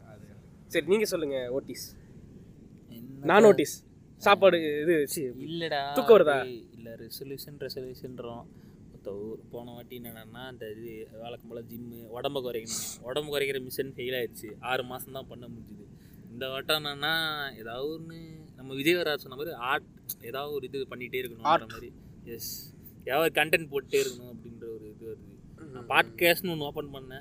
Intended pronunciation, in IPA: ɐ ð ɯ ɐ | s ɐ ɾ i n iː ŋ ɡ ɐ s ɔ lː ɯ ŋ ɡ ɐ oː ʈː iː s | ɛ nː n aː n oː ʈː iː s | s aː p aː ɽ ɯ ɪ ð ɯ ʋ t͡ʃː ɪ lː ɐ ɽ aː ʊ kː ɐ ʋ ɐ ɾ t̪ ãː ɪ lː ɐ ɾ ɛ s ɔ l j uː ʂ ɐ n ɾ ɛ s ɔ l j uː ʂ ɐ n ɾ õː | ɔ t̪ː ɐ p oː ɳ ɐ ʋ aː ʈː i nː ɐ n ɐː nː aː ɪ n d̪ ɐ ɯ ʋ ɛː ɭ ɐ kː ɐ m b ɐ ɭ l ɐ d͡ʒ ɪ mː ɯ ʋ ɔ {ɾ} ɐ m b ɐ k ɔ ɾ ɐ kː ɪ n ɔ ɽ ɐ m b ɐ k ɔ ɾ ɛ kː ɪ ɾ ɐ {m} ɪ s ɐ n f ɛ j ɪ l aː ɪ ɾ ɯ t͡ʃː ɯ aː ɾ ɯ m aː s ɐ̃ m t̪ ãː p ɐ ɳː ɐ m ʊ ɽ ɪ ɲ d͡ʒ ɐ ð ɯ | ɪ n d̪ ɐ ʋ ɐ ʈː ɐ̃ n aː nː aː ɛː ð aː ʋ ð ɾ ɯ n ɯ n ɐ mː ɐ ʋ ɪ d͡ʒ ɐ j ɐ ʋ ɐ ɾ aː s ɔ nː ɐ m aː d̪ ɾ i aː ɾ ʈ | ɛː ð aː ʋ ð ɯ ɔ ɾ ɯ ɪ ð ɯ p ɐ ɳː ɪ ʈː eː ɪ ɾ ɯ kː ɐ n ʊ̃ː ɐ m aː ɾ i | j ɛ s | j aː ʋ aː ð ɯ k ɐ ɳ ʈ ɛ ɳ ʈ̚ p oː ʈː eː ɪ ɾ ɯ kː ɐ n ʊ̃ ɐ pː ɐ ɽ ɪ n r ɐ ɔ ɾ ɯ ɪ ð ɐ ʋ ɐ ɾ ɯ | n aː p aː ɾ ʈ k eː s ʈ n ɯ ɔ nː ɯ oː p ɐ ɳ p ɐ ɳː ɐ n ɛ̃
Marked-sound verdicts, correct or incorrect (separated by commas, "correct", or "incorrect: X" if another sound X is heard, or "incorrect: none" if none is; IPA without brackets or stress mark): incorrect: ɽ, correct